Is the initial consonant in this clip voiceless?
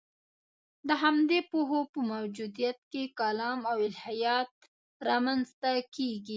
no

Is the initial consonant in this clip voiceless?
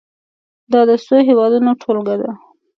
no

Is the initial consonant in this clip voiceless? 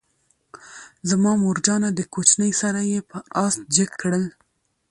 no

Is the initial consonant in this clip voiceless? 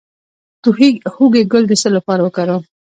yes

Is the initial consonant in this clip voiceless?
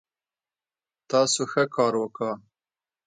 yes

